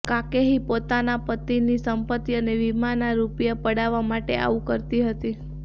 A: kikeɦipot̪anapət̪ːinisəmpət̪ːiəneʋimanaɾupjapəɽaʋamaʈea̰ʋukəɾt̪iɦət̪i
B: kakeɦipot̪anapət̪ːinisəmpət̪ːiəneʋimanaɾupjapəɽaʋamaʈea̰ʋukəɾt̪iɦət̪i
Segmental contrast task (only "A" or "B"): B